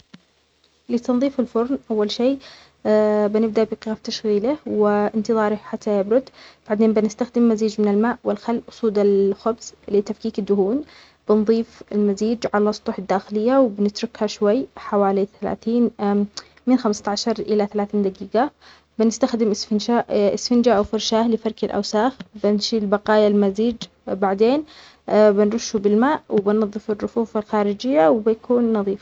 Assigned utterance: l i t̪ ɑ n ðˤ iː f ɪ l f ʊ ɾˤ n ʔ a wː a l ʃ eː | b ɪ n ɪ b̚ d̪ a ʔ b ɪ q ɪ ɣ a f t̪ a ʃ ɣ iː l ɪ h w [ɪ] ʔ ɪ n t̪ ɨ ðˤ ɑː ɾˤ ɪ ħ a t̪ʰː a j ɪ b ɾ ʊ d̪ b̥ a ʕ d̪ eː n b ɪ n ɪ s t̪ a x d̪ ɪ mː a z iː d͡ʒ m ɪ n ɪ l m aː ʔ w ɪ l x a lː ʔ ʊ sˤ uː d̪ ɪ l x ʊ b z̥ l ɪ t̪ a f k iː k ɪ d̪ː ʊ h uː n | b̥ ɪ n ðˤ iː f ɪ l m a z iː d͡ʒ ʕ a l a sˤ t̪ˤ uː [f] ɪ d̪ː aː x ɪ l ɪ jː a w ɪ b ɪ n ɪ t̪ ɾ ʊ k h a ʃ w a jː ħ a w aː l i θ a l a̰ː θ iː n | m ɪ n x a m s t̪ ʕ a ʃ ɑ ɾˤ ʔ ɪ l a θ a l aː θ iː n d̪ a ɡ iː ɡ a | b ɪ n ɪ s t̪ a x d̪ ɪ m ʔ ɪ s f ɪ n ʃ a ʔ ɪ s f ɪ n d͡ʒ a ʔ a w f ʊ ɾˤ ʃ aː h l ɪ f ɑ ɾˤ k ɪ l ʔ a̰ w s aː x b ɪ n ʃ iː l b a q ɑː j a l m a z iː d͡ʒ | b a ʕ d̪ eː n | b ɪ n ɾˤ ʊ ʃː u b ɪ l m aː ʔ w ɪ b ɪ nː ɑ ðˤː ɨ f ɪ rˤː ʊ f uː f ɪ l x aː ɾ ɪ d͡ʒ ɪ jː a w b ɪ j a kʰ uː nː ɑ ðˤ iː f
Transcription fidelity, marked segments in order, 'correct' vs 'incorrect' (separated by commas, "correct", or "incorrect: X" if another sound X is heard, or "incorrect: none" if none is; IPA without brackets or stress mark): correct, incorrect: ħ